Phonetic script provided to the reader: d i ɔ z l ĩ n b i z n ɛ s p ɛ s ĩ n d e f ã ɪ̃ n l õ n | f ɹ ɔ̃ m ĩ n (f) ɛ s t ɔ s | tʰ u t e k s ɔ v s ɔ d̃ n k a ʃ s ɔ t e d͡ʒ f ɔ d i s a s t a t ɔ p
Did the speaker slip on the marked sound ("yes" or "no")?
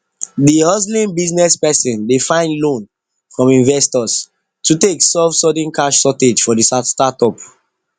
yes